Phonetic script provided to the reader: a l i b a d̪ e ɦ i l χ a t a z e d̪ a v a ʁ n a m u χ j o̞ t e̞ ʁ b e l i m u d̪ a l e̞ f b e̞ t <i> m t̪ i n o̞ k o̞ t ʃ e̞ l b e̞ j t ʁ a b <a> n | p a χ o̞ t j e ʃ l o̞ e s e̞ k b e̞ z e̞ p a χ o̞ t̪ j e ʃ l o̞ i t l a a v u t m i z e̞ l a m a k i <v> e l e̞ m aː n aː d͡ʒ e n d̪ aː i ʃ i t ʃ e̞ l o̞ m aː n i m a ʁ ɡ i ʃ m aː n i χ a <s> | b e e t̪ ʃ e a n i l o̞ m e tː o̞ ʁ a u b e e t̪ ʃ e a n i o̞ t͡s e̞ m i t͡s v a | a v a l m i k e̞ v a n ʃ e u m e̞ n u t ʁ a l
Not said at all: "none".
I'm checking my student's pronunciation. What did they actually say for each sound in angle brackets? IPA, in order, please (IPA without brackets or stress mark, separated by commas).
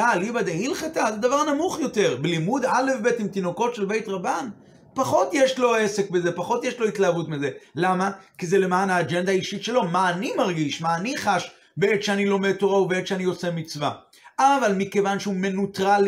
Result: i, a, z, ʃ